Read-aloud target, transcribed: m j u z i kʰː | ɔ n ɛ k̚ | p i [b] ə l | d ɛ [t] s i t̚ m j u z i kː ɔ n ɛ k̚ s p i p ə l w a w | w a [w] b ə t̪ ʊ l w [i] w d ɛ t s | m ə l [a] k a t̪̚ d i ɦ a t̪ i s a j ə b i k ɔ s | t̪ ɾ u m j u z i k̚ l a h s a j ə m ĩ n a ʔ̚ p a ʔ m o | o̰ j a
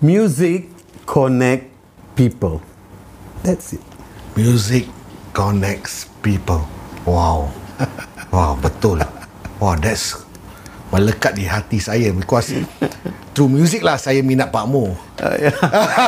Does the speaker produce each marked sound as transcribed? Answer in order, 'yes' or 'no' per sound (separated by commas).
no, yes, yes, no, no